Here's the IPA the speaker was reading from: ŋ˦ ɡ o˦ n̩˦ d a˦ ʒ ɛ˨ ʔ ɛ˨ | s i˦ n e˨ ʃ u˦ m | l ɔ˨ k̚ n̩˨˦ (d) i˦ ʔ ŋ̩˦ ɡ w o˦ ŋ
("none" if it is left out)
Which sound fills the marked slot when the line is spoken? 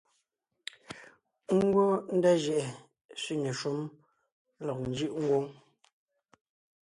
d͡ʒ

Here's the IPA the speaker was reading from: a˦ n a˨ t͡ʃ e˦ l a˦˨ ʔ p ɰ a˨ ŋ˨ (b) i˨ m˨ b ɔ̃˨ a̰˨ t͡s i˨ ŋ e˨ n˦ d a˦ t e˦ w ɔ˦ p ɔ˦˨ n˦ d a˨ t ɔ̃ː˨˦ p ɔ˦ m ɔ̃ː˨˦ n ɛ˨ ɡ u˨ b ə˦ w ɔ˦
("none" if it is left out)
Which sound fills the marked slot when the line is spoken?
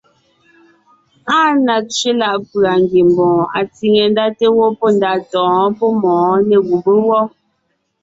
ɡ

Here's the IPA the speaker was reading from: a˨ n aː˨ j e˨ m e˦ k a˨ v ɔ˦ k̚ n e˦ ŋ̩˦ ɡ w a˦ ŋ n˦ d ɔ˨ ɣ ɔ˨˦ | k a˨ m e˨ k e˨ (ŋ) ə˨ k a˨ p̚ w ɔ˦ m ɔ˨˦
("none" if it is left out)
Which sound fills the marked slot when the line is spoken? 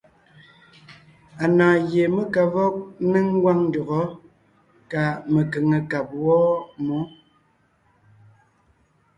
ŋ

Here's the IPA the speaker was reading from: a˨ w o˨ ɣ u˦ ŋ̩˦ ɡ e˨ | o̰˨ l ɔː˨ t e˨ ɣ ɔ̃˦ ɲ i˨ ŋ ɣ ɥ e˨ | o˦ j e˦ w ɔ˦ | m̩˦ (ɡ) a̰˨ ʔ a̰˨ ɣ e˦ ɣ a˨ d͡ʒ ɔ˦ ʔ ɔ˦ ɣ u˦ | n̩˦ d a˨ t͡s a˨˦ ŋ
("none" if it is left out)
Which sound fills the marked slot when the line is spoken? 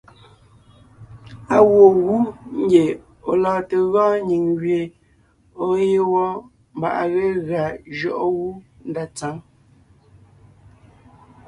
b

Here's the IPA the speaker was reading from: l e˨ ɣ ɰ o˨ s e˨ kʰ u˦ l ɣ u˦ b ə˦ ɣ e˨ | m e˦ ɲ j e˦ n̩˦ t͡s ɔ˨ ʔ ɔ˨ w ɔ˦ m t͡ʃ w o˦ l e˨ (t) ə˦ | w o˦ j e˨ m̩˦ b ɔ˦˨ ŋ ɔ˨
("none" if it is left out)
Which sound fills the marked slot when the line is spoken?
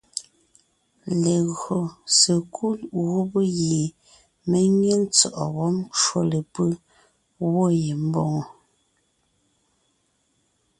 p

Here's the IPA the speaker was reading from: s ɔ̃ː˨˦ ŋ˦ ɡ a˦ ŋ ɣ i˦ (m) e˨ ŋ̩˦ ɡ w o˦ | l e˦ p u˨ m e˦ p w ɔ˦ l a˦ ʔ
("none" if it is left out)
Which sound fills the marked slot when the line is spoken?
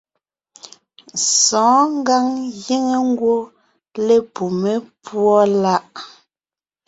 ŋ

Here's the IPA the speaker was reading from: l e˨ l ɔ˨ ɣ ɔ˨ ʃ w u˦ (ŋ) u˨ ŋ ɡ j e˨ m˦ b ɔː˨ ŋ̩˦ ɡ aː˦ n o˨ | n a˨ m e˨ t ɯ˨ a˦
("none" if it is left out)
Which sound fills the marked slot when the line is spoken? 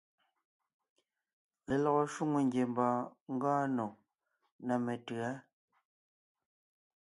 ŋ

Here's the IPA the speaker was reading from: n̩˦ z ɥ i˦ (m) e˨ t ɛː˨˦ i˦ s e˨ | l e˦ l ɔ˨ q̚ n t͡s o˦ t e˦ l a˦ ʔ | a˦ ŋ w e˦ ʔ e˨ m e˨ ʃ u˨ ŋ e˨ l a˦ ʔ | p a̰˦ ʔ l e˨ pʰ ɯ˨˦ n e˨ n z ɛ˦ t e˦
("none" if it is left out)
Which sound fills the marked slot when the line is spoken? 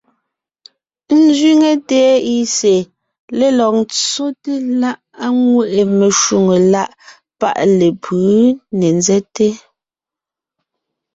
ŋ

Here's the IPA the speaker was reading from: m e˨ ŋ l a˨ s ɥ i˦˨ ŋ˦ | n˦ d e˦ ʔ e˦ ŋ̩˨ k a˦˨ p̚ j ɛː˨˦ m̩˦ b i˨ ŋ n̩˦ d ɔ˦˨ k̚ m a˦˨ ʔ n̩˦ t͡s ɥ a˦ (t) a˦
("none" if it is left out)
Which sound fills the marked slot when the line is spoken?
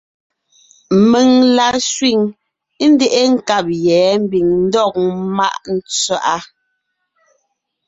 ʔ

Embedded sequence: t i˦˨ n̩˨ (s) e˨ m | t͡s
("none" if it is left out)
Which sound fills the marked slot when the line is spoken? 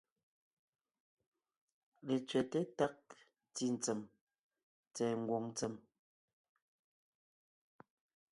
t͡s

